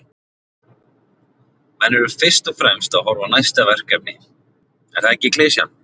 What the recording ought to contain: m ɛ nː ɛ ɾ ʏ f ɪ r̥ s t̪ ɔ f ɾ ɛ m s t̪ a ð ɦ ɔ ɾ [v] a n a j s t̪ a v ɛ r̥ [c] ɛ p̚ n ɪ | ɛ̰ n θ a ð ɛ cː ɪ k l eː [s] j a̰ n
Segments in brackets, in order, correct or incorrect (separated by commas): correct, incorrect, correct